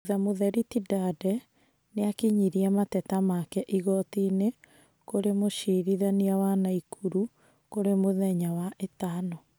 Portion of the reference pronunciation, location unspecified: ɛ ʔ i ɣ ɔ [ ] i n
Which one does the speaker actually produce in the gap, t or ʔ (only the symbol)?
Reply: t